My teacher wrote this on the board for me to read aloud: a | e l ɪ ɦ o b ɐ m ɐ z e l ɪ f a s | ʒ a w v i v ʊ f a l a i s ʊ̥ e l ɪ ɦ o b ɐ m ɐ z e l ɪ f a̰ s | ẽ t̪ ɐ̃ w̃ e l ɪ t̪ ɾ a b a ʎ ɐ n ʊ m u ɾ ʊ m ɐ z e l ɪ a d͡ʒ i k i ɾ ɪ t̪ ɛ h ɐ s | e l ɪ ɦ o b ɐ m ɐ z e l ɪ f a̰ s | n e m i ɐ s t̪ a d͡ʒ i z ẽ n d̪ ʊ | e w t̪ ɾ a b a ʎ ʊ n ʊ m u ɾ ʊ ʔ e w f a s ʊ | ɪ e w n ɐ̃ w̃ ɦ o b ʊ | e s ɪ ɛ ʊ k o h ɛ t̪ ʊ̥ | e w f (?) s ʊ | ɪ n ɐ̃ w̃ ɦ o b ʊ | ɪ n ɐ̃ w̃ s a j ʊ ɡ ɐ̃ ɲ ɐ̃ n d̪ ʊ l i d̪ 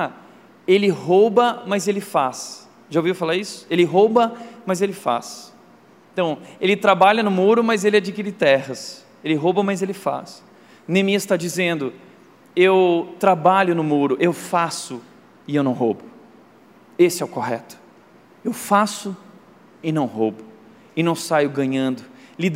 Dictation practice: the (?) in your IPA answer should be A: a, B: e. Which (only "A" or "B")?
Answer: A